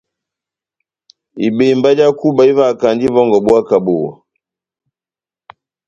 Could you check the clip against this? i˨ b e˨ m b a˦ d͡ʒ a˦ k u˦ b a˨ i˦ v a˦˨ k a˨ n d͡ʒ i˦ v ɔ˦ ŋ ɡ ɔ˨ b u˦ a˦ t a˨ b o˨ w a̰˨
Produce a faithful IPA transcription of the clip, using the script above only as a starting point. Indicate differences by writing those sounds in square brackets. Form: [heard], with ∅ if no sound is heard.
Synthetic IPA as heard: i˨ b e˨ m b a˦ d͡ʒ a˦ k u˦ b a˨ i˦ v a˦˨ k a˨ n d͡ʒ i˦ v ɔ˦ ŋ ɡ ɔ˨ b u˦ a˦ [k] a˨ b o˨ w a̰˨